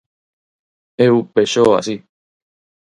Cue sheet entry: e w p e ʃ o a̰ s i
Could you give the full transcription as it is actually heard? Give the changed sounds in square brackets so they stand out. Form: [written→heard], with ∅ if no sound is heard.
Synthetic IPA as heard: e [w→u] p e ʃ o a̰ s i